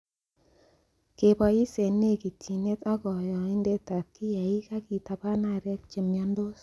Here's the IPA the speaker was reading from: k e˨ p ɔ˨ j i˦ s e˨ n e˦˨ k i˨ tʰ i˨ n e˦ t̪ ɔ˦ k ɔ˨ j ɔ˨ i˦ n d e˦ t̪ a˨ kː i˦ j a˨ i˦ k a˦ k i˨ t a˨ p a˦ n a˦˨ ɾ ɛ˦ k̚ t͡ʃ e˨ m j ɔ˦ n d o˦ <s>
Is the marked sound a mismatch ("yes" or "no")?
no